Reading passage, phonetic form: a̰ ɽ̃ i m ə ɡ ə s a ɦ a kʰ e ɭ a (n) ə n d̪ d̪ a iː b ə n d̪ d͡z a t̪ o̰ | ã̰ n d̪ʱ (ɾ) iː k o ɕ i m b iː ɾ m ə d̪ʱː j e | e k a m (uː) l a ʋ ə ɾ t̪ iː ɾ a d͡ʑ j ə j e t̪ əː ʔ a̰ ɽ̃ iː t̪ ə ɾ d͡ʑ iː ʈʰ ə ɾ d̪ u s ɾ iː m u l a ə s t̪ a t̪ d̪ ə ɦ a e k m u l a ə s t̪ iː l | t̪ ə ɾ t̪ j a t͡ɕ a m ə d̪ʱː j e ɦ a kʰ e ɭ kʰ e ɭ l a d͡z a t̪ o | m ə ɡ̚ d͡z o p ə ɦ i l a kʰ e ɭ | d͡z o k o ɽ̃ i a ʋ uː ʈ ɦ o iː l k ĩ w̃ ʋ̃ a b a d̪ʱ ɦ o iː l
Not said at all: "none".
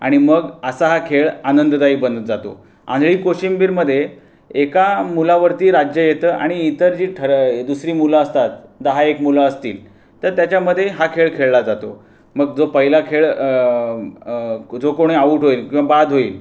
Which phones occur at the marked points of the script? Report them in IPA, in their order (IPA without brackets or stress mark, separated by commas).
n, ɭ, u